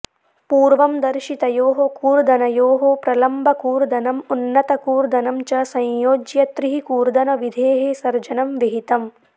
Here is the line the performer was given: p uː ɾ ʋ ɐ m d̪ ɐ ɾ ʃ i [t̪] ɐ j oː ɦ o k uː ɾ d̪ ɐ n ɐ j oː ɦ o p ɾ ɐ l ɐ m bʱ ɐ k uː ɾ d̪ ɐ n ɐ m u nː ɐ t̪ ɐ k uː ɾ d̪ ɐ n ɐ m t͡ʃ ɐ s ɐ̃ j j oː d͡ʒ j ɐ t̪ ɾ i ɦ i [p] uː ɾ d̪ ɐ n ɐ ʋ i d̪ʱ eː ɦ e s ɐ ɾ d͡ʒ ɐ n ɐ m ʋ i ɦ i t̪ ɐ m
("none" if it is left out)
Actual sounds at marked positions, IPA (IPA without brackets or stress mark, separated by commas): t̪, k